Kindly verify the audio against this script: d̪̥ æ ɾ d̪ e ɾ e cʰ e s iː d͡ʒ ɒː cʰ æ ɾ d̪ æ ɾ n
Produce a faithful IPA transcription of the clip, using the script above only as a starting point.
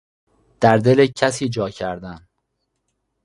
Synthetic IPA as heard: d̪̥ æ ɾ d̪ e l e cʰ æ s iː d͡ʒ ɒː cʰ æ ɾ d̪ æ n